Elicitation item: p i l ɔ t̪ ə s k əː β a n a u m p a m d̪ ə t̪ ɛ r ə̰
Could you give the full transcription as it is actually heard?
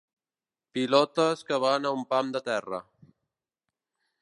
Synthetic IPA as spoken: p i l ɔ t̪ ə s k ə β a n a u m p a m d̪ ə t̪ ɛ r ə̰